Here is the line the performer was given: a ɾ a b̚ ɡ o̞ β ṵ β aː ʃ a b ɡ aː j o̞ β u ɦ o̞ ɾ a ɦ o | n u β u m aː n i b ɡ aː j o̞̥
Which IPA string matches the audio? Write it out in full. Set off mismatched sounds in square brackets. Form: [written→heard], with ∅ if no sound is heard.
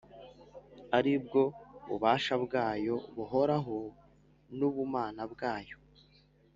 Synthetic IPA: a ɾ [a→i] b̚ ɡ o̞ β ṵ β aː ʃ a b ɡ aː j o̞ β u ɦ o̞ ɾ a ɦ o | n u β u m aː n [i→a] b ɡ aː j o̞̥

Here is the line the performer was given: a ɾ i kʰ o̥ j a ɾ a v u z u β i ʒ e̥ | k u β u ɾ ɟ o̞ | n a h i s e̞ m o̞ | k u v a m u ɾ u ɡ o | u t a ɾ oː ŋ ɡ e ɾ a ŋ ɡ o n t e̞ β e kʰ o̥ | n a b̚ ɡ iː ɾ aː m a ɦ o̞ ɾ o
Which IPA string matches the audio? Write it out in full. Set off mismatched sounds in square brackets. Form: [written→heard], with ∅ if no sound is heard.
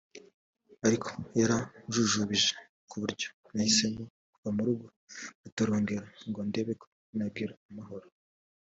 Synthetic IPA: a ɾ i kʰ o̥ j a ɾ a [v→ʒ] u [z→ʒ] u β i ʒ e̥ | k u β u ɾ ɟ o̞ | n a h i s e̞ m o̞ | k u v a m u ɾ u ɡ o | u t a ɾ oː ŋ ɡ e ɾ a ŋ ɡ o n [t→d] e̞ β e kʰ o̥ | n a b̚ ɡ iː ɾ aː m a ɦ o̞ ɾ o

